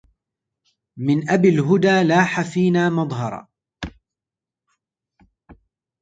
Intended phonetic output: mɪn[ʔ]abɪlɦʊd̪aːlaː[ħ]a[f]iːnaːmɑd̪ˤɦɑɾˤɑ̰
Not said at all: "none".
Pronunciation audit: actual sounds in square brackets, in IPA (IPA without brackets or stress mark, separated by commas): ʔ, ħ, f